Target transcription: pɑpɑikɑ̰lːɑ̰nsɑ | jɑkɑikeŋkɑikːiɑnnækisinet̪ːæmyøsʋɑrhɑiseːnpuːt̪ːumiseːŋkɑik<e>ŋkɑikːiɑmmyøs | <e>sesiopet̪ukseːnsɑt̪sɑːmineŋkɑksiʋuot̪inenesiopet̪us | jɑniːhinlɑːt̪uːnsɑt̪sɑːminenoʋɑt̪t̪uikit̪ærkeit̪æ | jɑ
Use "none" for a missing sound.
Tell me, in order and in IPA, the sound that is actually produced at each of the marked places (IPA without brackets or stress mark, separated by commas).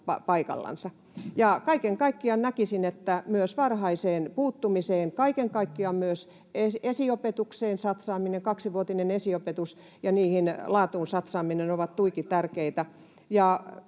e, e